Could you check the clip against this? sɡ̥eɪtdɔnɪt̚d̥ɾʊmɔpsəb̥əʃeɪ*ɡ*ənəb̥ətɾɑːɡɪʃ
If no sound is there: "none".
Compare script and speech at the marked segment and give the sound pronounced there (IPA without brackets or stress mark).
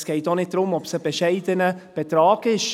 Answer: d